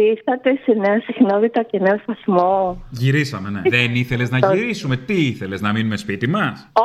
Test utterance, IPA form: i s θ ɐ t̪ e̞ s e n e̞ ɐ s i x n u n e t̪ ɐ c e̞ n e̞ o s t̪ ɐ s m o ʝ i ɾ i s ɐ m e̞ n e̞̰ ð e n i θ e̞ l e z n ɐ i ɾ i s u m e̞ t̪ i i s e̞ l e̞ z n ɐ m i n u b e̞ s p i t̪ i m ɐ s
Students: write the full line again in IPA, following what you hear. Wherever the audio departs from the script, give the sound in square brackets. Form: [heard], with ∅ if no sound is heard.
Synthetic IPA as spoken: i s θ ɐ t̪ e̞ s e n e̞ ɐ s i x n [o] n [i] t̪ ɐ c e̞ n e̞ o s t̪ ɐ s m o ʝ i ɾ i s ɐ m e̞ n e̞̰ ð e n i θ e̞ l e z n ɐ i ɾ i s u m e̞ t̪ i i [θ] e̞ l e̞ z n ɐ m i n u [m] e̞ s p i t̪ i m ɐ s